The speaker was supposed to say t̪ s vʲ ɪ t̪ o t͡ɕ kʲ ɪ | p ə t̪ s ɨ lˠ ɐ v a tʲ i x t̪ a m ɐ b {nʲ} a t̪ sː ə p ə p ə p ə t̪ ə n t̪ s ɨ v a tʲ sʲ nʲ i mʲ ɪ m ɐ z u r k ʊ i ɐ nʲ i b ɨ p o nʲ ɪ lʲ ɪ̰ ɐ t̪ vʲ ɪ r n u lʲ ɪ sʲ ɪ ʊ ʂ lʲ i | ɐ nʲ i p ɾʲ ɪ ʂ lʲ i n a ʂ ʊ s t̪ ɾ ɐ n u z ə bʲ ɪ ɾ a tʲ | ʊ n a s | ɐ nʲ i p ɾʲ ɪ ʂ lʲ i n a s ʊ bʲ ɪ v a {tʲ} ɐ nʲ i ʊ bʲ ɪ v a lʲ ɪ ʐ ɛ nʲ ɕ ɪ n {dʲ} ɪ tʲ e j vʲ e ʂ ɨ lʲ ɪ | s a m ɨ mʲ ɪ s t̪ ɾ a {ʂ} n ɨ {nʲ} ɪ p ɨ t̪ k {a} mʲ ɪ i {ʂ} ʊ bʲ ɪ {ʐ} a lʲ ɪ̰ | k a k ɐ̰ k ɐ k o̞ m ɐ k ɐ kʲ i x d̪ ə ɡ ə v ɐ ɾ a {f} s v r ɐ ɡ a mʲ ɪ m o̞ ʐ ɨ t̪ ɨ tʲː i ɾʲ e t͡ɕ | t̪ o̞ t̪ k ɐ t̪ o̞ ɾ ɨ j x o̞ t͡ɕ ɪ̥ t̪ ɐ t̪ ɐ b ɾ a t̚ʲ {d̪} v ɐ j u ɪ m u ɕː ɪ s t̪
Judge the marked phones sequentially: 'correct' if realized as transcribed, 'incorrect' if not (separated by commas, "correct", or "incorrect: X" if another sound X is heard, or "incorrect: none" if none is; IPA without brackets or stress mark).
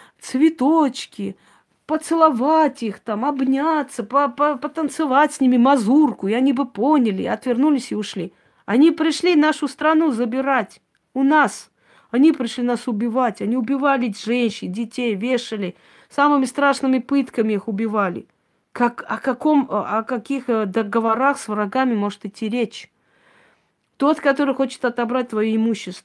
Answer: correct, correct, correct, correct, incorrect: mʲ, incorrect: ə, incorrect: x, incorrect: v, incorrect: x, incorrect: t̪